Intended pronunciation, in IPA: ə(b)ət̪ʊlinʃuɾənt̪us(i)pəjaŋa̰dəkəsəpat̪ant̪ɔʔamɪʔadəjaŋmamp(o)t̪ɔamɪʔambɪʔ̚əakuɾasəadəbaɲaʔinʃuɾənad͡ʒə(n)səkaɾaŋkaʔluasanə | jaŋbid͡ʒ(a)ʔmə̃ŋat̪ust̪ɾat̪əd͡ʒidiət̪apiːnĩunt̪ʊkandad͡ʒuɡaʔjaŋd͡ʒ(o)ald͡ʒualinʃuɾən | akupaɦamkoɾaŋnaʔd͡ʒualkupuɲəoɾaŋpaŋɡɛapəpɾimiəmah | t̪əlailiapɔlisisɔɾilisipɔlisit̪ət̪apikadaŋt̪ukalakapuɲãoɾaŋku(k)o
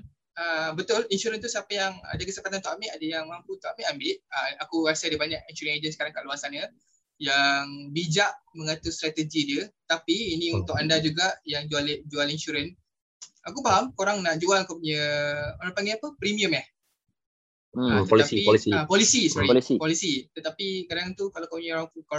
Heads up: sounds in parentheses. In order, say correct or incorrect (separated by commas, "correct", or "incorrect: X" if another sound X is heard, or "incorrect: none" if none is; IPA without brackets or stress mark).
correct, incorrect: a, incorrect: u, correct, correct, incorrect: u, correct